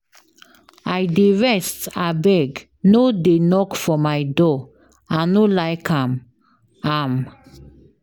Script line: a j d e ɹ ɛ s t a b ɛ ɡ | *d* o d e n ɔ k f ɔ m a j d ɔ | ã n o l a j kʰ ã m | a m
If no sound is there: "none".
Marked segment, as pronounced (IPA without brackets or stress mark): n